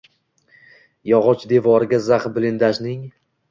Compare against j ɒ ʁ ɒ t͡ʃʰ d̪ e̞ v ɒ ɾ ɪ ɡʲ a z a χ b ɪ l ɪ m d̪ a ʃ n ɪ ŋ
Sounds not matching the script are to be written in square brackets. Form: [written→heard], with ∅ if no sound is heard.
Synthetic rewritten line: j ɒ ʁ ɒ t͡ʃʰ d̪ e̞ v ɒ ɾ ɪ ɡʲ a z a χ b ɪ l ɪ [m→n] d̪ a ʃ n ɪ ŋ